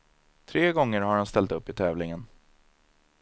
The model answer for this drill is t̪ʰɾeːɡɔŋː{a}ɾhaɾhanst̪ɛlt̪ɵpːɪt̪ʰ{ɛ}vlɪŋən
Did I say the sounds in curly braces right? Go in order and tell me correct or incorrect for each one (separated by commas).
incorrect, incorrect